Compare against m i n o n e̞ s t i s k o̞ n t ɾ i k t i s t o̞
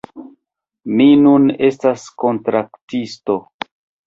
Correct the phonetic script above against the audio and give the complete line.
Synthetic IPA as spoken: m i n u n e̞ s t a s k o̞ n t ɾ a k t i s t o̞